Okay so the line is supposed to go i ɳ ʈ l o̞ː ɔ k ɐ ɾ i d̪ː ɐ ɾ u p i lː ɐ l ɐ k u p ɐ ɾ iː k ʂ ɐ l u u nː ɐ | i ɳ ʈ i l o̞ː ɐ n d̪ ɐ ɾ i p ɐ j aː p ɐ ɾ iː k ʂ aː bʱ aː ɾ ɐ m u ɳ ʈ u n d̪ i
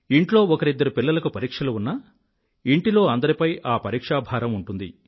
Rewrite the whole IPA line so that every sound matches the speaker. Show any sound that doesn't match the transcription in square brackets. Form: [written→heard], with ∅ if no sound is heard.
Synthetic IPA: i ɳ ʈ l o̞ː ɔ k ɐ ɾ i d̪ː ɐ ɾ u p i lː ɐ l ɐ k u p ɐ ɾ iː k ʂ ɐ l u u nː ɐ | i ɳ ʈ i l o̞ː ɐ n d̪ ɐ ɾ i p ɐ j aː p ɐ ɾ iː k ʂ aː bʱ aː ɾ ɐ m u ɳ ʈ u n d̪ i

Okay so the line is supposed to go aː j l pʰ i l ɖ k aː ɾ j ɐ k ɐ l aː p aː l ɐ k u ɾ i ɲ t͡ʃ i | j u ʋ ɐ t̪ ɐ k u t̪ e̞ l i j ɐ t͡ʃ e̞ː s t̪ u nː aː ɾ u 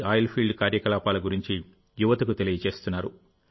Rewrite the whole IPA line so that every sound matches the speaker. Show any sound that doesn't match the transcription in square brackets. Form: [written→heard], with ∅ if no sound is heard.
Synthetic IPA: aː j l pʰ i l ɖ k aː ɾ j ɐ k ɐ l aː p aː l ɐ [k→ɡ] u ɾ i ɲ t͡ʃ i | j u ʋ ɐ t̪ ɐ k u t̪ e̞ l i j ɐ t͡ʃ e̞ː s t̪ u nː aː ɾ u

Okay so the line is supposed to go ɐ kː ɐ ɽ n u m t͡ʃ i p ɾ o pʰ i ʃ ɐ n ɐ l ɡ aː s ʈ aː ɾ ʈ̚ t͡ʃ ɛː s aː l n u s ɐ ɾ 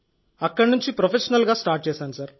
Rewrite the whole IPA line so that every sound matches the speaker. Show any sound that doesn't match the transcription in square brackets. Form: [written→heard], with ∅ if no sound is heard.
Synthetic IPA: ɐ kː ɐ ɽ n u [m→ɲ] t͡ʃ i p ɾ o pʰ [i→e] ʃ ɐ n ɐ l ɡ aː s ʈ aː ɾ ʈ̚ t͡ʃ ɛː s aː [l→∅] n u s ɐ ɾ

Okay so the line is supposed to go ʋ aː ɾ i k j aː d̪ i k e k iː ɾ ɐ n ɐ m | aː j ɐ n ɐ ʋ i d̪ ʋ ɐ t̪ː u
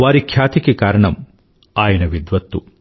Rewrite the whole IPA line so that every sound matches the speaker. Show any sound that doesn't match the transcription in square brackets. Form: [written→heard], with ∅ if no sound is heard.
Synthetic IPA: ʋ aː ɾ i [k→kʰ] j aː [d̪→t̪] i k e k [iː→aː] ɾ ɐ [n→ɳ] ɐ m | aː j ɐ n ɐ ʋ i d̪ ʋ ɐ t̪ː u

